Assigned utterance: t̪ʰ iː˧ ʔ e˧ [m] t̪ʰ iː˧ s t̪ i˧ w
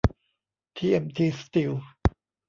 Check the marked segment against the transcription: correct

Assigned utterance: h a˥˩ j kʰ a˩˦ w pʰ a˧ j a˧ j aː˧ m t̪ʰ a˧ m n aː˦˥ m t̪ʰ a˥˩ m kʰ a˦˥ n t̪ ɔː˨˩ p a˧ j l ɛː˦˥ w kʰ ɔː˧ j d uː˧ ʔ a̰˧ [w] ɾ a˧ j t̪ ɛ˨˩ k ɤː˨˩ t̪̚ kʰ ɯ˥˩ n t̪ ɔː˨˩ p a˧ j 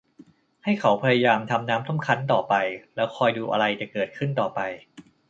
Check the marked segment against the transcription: incorrect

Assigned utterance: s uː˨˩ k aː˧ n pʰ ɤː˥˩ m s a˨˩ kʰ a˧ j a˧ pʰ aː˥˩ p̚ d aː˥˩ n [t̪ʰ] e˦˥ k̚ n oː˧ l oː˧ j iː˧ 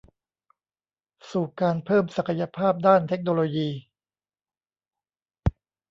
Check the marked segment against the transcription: correct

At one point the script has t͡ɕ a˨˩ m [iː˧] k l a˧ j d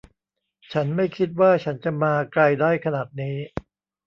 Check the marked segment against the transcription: incorrect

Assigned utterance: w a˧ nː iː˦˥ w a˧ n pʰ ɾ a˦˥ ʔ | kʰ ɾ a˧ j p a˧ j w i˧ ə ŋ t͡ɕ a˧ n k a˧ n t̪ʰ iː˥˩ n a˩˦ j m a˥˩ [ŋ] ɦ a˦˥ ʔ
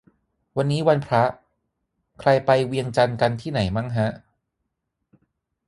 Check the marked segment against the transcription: correct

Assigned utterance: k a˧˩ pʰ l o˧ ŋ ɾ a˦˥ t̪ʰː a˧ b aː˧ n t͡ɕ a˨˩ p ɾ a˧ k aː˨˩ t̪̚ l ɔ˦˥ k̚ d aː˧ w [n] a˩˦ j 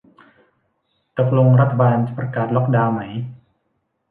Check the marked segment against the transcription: incorrect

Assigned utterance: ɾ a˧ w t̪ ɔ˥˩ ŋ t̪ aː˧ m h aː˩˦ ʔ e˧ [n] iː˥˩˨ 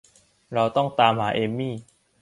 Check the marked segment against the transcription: incorrect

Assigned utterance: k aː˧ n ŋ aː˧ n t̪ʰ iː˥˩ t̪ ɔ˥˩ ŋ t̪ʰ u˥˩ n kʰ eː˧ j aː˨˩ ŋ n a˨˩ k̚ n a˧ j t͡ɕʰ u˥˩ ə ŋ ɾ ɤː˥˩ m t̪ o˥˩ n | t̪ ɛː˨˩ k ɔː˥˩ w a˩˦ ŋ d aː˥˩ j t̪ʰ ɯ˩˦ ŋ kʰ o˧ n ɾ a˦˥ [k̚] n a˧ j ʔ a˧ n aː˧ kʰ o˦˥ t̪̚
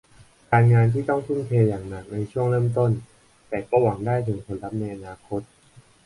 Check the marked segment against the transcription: incorrect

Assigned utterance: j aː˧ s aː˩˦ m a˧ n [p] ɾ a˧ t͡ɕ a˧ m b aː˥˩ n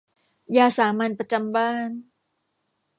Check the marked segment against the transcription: correct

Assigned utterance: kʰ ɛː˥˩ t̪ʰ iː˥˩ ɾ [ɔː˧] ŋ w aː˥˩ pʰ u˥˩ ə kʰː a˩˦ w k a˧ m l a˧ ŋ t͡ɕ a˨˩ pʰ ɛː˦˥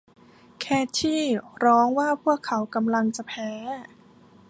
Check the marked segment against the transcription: incorrect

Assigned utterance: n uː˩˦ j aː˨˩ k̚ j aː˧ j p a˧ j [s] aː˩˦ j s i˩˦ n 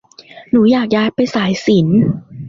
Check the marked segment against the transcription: correct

